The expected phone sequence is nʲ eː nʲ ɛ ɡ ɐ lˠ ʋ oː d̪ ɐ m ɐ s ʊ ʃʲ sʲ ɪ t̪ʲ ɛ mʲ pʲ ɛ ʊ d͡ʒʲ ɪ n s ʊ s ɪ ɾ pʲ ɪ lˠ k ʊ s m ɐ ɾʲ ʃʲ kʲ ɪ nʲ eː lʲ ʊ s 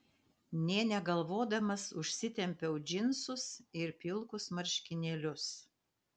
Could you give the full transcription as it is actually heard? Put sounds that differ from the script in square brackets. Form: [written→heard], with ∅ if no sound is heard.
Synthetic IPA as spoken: nʲ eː nʲ ɛ ɡ ɐ lˠ ʋ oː d̪ ɐ m ɐ s ʊ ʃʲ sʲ ɪ t̪ʲ ɛ mʲ pʲ ɛ ʊ d͡ʒʲ ɪ n s ʊ s ɪ ɾ pʲ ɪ lˠ k ʊ s m ɐ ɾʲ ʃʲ kʲ ɪ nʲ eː lʲ ʊ s

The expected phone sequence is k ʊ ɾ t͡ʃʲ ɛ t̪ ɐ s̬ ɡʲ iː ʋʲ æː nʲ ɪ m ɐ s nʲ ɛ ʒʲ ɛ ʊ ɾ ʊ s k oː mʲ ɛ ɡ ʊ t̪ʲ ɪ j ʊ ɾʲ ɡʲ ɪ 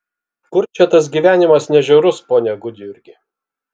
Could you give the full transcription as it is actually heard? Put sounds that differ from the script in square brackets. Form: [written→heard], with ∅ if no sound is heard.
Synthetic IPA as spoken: k ʊ ɾ t͡ʃʲ ɛ t̪ ɐ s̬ ɡʲ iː ʋʲ æː nʲ ɪ m ɐ s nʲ ɛ ʒʲ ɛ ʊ ɾ ʊ s [k→p] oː [mʲ→nʲ] ɛ ɡ ʊ [t̪ʲ→d̪ʲ] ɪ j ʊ ɾʲ ɡʲ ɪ

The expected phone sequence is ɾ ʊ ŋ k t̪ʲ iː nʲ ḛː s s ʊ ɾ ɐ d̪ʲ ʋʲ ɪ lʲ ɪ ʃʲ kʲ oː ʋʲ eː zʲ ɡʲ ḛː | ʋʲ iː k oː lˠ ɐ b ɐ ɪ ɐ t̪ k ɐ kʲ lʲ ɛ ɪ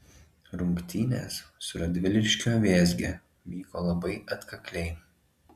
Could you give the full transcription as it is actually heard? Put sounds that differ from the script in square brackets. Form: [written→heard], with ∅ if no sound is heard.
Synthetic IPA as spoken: ɾ ʊ ŋ k t̪ʲ iː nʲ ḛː s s ʊ ɾ ɐ d̪ʲ ʋʲ ɪ lʲ ɪ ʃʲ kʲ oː ʋʲ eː zʲ ɡʲ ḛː | ʋʲ iː k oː lˠ ɐ b ɐ ɪ ɐ t̪ k ɐ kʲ lʲ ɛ ɪ

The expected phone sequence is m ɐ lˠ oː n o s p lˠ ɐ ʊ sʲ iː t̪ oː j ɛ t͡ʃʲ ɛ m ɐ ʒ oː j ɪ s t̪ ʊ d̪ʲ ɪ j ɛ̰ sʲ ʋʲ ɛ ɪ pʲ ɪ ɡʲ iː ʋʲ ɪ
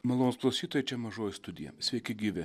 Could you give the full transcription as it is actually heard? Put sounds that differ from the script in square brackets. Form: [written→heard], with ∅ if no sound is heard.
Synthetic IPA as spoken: m ɐ lˠ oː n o s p lˠ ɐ ʊ sʲ iː t̪ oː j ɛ t͡ʃʲ ɛ m ɐ ʒ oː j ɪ s t̪ ʊ d̪ʲ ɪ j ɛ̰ sʲ ʋʲ ɛ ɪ [pʲ→kʲ] ɪ ɡʲ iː ʋʲ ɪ

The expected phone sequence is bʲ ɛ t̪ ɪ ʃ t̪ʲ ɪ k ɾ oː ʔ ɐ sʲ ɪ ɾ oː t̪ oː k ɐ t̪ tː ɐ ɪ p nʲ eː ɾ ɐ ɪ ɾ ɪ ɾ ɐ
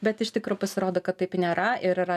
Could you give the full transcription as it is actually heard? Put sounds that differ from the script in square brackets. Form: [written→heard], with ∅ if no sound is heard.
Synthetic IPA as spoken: bʲ ɛ t̪ ɪ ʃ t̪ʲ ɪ k ɾ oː [ʔ→p] ɐ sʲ ɪ ɾ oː [t̪→d̪] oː k ɐ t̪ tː ɐ ɪ p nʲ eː ɾ ɐ ɪ ɾ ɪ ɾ ɐ

